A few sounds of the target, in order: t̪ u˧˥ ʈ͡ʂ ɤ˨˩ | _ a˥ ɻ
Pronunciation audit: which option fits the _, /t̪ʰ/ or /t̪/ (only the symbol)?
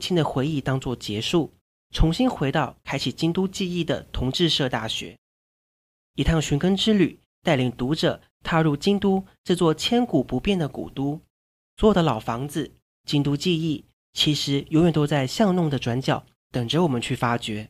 t̪ʰ